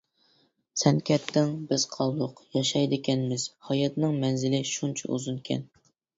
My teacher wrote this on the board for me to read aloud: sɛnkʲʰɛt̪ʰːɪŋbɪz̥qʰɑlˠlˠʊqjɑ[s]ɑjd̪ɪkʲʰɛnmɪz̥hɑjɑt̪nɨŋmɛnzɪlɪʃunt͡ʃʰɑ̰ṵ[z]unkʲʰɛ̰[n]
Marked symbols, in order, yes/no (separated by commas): no, yes, yes